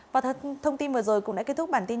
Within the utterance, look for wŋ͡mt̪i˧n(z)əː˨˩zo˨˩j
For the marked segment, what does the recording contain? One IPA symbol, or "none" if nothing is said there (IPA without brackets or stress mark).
v